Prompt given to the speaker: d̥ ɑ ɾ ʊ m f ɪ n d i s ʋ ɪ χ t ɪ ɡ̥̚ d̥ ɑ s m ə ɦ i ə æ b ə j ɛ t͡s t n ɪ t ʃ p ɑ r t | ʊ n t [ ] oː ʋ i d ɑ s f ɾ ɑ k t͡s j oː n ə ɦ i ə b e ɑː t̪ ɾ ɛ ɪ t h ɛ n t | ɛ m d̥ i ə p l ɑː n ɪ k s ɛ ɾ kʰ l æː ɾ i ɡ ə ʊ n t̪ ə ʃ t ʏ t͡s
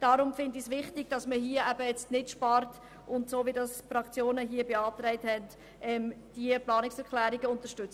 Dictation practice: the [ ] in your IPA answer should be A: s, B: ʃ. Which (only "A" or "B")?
A